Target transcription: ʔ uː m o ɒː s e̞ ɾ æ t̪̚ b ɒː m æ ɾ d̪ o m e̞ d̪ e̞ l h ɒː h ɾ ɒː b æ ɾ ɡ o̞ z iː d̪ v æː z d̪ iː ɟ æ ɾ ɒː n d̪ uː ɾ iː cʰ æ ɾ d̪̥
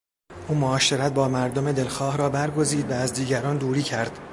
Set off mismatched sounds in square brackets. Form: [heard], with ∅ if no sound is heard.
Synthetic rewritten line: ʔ uː m o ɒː [ʃ] e̞ ɾ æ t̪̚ b ɒː m æ ɾ d̪ o m e̞ d̪ e̞ l [x] ɒː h ɾ ɒː b æ ɾ ɡ o̞ z iː d̪ v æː z d̪ iː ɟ æ ɾ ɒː n d̪ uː ɾ iː cʰ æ ɾ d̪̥